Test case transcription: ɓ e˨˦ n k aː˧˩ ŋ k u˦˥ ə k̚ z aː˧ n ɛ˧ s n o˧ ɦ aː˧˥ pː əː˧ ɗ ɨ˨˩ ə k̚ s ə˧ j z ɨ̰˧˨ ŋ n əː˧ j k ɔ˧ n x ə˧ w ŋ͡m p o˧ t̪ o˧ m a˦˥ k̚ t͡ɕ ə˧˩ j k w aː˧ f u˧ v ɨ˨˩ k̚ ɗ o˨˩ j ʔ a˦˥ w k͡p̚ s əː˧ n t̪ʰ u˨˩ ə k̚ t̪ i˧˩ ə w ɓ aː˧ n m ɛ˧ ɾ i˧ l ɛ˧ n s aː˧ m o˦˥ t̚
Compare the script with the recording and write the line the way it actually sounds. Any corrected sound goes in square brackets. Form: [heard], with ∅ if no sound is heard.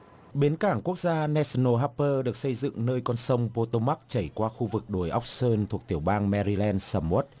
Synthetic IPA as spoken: ɓ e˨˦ n k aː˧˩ ŋ k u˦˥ ə k̚ z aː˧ n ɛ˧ s n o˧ ɦ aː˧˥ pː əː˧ ɗ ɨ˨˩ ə k̚ s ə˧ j z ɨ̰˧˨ ŋ n əː˧ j k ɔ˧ n [s] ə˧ w ŋ͡m p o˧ t̪ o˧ m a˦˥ k̚ t͡ɕ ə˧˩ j k w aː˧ [x] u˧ v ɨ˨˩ k̚ ɗ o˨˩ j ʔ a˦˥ w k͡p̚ s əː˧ n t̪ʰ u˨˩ ə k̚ t̪ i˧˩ ə w ɓ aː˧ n m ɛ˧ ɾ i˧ l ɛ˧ n s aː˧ m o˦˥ t̚

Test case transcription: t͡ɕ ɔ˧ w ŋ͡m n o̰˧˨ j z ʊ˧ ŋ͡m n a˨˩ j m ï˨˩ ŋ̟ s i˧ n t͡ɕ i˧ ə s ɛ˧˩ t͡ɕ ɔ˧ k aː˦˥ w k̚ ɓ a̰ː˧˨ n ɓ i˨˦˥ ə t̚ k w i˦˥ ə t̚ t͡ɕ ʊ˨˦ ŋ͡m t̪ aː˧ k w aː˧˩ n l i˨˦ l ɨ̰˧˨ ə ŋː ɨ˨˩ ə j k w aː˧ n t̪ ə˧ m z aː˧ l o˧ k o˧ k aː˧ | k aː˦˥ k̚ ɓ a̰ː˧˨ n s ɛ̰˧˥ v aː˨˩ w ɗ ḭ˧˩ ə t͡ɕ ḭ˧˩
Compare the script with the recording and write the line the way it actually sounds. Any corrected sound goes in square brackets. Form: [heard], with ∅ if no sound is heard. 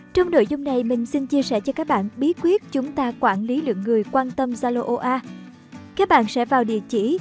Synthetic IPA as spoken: t͡ɕ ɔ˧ w ŋ͡m n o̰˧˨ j z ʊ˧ ŋ͡m n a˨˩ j m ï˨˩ ŋ̟ s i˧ n t͡ɕ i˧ ə s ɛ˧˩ t͡ɕ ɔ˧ k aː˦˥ [∅] k̚ ɓ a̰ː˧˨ n ɓ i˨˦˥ ə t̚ k w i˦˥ ə t̚ t͡ɕ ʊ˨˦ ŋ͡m t̪ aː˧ k w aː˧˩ n l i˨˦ l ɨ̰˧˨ ə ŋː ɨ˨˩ ə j k w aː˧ n t̪ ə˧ m z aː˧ l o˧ [ʔ] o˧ [ʔ] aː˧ | k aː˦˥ k̚ ɓ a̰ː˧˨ n s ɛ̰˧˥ v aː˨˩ w ɗ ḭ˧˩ ə t͡ɕ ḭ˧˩

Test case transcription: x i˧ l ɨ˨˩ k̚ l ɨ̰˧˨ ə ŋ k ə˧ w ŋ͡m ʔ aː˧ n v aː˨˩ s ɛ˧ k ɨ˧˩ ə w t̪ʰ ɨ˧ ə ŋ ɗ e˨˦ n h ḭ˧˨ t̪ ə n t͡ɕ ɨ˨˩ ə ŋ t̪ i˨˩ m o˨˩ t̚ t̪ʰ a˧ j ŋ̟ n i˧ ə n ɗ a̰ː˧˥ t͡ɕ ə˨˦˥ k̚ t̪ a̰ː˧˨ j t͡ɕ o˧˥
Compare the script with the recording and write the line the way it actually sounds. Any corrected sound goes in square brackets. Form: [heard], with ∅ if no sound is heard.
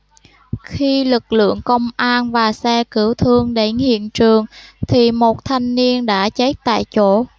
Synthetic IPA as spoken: x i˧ l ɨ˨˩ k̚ l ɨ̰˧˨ ə ŋ k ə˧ w ŋ͡m ʔ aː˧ n v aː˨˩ s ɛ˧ k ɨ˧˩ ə w t̪ʰ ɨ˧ ə ŋ ɗ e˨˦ n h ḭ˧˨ [∅] ə n t͡ɕ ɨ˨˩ ə ŋ [t̪ʰ] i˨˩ m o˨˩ t̚ t̪ʰ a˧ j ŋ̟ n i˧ ə n ɗ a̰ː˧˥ t͡ɕ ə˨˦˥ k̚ t̪ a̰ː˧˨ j t͡ɕ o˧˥

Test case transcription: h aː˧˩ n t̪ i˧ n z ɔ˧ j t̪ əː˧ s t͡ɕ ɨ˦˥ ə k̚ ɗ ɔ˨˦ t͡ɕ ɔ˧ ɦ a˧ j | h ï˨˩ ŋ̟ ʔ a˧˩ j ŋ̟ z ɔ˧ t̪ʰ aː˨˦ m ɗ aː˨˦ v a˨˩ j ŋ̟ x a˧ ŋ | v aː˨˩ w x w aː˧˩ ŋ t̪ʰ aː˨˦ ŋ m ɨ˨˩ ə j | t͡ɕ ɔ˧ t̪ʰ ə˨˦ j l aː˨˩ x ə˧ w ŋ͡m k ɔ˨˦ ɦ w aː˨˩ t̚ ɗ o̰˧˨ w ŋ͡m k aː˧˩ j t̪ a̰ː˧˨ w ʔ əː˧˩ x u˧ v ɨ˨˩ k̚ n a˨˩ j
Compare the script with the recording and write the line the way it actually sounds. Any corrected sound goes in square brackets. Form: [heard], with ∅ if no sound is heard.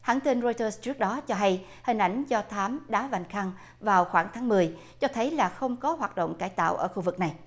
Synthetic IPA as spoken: h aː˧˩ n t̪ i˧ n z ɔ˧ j t̪ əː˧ s t͡ɕ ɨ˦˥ ə k̚ ɗ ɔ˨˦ t͡ɕ ɔ˧ ɦ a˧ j | h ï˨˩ ŋ̟ ʔ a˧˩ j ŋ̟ z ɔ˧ t̪ʰ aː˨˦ m ɗ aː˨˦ v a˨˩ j ŋ̟ x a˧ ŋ | v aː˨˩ w x w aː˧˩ ŋ t̪ʰ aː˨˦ ŋ m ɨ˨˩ ə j | t͡ɕ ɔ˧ t̪ʰ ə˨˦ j l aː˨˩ x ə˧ w ŋ͡m k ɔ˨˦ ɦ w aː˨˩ t̚ ɗ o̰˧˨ w ŋ͡m k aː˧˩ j t̪ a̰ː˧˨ w ʔ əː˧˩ x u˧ v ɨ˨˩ k̚ n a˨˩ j

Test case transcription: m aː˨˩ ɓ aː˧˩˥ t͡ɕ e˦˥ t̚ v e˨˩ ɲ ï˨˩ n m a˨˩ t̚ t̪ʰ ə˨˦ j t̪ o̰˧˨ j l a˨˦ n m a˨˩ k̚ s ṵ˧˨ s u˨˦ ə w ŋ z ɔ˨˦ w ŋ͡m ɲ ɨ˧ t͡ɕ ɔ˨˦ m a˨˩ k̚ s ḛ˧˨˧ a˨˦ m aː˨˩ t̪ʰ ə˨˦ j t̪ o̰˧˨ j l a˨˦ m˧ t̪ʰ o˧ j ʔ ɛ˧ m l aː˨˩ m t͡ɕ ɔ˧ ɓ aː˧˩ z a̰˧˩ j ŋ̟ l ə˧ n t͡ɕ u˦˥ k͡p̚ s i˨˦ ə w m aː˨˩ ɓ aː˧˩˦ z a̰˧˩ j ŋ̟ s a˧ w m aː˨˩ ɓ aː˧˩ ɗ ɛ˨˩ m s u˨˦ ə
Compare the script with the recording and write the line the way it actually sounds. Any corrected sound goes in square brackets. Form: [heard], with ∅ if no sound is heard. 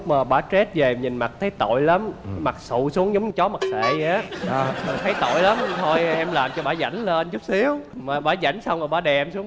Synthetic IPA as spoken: m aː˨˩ ɓ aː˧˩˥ t͡ɕ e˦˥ t̚ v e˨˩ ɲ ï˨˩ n m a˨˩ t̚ t̪ʰ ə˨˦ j t̪ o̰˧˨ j l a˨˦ [m] m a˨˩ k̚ s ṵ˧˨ s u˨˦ ə [∅] ŋ z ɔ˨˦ w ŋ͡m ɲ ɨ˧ t͡ɕ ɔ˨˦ m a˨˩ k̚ s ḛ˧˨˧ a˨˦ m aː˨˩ t̪ʰ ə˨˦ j t̪ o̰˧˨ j l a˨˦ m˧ t̪ʰ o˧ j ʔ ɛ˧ m l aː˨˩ m t͡ɕ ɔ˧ ɓ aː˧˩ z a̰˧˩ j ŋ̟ l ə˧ n t͡ɕ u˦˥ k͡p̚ s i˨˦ ə w m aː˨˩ ɓ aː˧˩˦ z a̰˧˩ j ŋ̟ s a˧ w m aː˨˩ ɓ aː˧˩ ɗ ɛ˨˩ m s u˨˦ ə

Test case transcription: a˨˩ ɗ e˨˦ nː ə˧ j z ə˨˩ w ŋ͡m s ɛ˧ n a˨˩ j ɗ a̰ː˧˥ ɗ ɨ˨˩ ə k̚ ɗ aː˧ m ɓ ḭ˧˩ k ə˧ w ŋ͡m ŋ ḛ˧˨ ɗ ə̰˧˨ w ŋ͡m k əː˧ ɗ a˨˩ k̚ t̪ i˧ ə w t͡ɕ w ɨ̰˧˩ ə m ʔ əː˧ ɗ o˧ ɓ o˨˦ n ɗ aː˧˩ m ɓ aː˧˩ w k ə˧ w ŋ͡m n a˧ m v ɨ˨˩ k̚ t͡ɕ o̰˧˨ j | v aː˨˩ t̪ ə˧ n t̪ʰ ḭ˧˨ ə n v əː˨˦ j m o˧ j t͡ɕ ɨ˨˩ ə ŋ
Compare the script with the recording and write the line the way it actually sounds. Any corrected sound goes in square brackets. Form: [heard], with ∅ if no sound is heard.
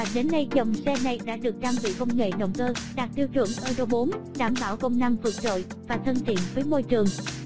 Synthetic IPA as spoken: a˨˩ ɗ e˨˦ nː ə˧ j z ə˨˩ w ŋ͡m s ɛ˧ n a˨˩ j ɗ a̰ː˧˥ ɗ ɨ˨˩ ə k̚ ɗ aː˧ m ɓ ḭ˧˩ k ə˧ w ŋ͡m ŋ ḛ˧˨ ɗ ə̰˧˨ w ŋ͡m k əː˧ ɗ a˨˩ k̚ t̪ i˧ ə w t͡ɕ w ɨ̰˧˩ ə [ŋ] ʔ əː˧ ɗ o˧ ɓ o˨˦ n ɗ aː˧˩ m ɓ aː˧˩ w k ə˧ w ŋ͡m n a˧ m v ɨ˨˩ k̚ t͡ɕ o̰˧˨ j | v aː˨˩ [t̪ʰ] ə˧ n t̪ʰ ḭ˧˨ ə n v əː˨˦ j m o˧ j t͡ɕ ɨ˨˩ ə ŋ

